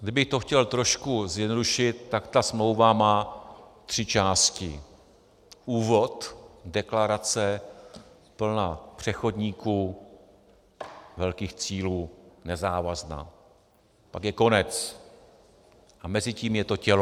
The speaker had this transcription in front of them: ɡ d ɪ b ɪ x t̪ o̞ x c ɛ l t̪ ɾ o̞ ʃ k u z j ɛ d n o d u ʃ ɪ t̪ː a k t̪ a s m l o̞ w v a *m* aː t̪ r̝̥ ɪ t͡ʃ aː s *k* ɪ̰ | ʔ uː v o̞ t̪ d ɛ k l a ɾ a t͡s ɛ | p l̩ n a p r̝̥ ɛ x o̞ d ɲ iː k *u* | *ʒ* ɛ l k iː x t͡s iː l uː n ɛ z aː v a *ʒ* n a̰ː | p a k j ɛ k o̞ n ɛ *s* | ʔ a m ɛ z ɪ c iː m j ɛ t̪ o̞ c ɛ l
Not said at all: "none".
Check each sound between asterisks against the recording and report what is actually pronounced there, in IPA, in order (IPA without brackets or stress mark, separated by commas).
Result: m, c, uː, v, z, t͡s